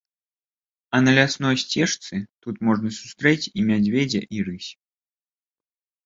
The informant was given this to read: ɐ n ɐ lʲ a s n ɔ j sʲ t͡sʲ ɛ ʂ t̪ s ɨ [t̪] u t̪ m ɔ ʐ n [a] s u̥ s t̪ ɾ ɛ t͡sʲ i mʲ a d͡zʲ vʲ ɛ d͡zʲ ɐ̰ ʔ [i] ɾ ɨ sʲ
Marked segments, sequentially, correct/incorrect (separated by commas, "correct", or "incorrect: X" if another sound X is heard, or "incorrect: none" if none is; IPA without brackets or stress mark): correct, incorrect: ɐ, correct